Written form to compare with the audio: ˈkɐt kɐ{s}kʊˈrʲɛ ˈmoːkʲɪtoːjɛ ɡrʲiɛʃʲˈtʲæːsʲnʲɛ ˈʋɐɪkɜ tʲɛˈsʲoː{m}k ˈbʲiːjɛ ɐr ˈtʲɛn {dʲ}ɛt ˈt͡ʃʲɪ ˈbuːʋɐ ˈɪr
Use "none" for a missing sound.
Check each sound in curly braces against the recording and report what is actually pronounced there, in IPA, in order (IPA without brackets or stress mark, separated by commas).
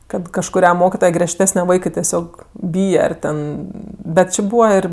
ʃ, none, bʲ